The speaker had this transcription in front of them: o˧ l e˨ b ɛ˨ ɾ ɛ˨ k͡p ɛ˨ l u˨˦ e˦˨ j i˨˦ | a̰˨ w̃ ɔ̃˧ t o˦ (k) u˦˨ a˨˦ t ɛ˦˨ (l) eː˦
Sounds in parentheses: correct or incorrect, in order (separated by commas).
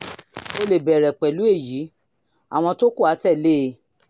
correct, correct